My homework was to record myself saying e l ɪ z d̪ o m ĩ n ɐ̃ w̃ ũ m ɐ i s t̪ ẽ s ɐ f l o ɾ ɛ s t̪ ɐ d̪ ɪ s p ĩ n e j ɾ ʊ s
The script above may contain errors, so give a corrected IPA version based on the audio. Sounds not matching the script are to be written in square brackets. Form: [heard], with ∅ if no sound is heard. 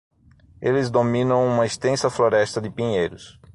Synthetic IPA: e l ɪ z d̪ o m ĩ n ɐ̃ w̃ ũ m ɐ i s t̪ ẽ s ɐ f l o ɾ ɛ s t̪ ɐ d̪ ɪ [∅] p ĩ [ɲ] e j ɾ ʊ s